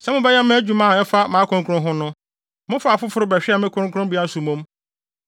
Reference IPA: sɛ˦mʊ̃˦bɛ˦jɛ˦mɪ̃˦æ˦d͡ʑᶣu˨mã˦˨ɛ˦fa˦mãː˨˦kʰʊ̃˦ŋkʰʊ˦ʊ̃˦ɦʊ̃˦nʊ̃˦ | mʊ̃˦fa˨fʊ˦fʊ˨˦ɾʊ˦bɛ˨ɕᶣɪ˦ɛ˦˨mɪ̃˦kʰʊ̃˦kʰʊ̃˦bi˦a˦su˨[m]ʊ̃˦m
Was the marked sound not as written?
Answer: no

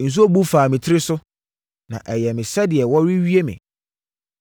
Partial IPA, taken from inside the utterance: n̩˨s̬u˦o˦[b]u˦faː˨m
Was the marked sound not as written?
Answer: no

